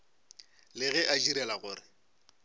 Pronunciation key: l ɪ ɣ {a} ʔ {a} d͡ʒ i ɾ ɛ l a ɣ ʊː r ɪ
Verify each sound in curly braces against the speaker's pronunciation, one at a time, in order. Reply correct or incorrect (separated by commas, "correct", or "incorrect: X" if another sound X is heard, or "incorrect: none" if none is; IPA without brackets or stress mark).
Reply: incorrect: ɛ, correct